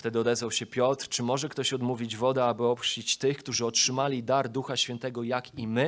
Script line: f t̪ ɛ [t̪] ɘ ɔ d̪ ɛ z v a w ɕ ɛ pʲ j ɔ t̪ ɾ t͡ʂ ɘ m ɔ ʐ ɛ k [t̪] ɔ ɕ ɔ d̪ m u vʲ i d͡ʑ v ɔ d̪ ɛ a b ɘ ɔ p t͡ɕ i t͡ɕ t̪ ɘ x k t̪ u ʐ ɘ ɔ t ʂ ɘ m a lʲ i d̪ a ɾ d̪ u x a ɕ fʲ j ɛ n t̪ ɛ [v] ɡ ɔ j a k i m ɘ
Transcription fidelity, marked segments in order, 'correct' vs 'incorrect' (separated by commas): incorrect, correct, incorrect